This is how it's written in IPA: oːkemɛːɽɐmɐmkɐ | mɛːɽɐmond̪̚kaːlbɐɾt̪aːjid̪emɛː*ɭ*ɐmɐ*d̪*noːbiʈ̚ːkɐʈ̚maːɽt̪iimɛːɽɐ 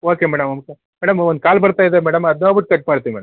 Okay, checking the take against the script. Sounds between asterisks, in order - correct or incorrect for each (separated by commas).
incorrect, correct